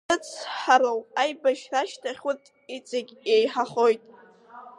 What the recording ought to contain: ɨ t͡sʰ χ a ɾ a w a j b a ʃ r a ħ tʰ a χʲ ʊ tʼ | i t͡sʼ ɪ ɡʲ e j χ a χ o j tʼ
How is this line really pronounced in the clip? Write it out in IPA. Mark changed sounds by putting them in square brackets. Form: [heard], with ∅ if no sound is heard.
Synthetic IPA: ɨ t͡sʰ [ħ] a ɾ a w a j b a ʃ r a [ʃ] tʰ a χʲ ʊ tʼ | i t͡sʼ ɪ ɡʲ e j [ħ] a χ o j tʼ